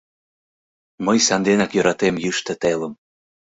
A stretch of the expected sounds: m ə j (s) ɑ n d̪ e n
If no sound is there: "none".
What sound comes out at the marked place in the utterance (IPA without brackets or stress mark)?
s